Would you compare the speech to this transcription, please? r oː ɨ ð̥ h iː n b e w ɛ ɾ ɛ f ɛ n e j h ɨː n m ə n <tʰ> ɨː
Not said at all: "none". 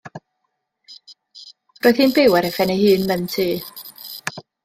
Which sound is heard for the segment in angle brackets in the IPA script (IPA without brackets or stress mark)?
tʰ